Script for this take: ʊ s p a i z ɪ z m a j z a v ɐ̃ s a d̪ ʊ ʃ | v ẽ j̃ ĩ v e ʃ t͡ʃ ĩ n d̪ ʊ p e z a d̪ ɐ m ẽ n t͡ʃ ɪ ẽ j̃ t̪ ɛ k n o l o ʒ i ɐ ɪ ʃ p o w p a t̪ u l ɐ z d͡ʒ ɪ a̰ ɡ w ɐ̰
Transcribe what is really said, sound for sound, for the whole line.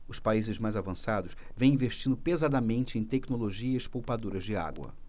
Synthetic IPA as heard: ʊ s p a i z ɪ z m a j z a v ɐ̃ s a d̪ ʊ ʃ | v ẽ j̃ ĩ v e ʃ t͡ʃ ĩ n d̪ ʊ p e z a d̪ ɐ m ẽ n t͡ʃ ɪ ẽ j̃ t̪ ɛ k n o l o ʒ i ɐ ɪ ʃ p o w p a d̪ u ɾ ɐ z d͡ʒ ɪ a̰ ɡ w ɐ̰

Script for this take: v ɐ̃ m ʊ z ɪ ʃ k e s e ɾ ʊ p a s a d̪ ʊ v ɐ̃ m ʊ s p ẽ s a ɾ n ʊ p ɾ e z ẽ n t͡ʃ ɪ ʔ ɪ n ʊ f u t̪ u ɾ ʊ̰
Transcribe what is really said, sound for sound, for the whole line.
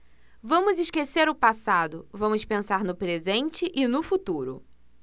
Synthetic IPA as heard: v ɐ̃ m ʊ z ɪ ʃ k e s e ɾ ʊ p a s a d̪ ʊ v ɐ̃ m ʊ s p ẽ s a ɾ n ʊ p ɾ e z ẽ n t͡ʃ ɪ ʔ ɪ n ʊ f u t̪ u ɾ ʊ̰

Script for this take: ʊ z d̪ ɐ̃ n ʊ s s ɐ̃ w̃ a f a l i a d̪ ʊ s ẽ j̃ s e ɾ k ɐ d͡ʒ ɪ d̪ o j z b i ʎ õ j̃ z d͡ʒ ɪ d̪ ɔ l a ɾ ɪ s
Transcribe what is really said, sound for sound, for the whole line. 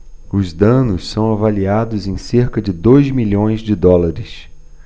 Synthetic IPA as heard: ʊ z d̪ ɐ̃ n ʊ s s ɐ̃ w̃ a v a l i a d̪ ʊ z ẽ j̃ s e ɾ k ɐ d͡ʒ ɪ d̪ o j z m i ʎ õ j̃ z d͡ʒ ɪ d̪ ɔ l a ɾ ɪ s

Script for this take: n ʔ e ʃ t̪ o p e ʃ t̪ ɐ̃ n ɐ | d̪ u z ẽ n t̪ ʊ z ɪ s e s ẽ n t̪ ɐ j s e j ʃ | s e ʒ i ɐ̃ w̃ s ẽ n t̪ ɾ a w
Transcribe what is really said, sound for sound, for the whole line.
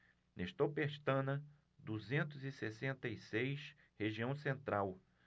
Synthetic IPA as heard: n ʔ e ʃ t̪ o p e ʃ t̪ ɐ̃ n ɐ | d̪ u z ẽ n t̪ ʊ z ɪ s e s ẽ n t̪ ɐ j s e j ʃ | h e ʒ i ɐ̃ w̃ s ẽ n t̪ ɾ a w

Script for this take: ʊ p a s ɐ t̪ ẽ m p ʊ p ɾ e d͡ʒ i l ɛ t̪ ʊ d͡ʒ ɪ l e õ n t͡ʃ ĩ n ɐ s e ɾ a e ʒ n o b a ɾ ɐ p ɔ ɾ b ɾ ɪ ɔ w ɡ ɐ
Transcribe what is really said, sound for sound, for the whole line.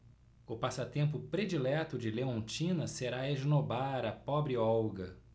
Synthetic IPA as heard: ʊ p a s ɐ t̪ ẽ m p ʊ p ɾ e d͡ʒ i l ɛ t̪ ʊ d͡ʒ ɪ l e õ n t͡ʃ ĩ n ɐ s e ɾ a e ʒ n o b a ɾ ɐ p ɔ b ɾ ɪ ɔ w ɡ ɐ

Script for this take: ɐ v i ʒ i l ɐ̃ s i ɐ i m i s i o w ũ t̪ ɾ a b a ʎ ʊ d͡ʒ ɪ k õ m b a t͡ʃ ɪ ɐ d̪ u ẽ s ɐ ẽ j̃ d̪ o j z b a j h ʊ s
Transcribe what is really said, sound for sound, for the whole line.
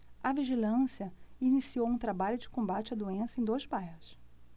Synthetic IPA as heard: ɐ v i ʒ i l ɐ̃ s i ɐ i n i s i o w ũ t̪ ɾ a b a ʎ ʊ d͡ʒ ɪ k õ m b a t͡ʃ ɪ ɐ d̪ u ẽ s ɐ ẽ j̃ d̪ o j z b a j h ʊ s

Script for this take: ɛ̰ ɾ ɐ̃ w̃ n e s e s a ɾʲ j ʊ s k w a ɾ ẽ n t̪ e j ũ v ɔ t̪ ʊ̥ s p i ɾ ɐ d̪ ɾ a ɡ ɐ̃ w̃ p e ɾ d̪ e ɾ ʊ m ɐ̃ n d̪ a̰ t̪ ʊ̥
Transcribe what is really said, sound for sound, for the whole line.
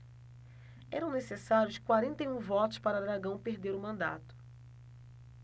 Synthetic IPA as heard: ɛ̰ ɾ ɐ̃ w̃ n e s e s a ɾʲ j ʊ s k w a ɾ ẽ n t̪ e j ũ v ɔ t̪ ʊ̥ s p a ɾ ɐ d̪ ɾ a ɡ ɐ̃ w̃ p e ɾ d̪ e ɾ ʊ m ɐ̃ n d̪ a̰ t̪ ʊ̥

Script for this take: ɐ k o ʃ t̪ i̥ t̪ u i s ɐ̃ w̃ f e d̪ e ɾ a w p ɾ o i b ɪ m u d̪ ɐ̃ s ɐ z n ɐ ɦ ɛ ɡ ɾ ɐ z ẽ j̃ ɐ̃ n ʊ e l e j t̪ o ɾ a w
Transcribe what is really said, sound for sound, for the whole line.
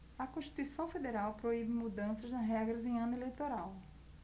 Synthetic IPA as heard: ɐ k õ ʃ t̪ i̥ t̪ u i s ɐ̃ w̃ f e d̪ e ɾ a w p ɾ o i b ɪ m u d̪ ɐ̃ s ɐ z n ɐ ɦ ɛ ɡ ɾ ɐ z ẽ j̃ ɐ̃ n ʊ e l e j t̪ o ɾ a w

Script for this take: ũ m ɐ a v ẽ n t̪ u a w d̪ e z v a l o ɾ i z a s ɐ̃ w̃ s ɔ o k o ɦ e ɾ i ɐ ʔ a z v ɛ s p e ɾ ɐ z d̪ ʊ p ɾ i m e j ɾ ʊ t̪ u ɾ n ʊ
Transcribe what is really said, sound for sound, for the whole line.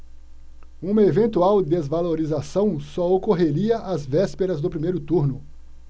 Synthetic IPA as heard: ũ m ɐ e v ẽ n t̪ u a w d̪ e z v a l o ɾ i z a s ɐ̃ w̃ s ɔ o k o ɦ e ɾ i ɐ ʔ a z v ɛ s p e ɾ ɐ z d̪ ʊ p ɾ i m e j ɾ ʊ t̪ u ɾ n ʊ

